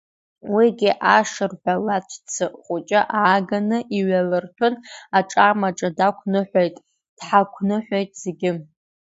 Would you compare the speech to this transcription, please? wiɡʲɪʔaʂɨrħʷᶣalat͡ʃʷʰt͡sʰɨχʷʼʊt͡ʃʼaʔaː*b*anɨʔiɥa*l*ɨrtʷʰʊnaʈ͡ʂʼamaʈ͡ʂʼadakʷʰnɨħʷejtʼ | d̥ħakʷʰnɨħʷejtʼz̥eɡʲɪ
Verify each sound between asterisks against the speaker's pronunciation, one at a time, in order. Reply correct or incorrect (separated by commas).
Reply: incorrect, correct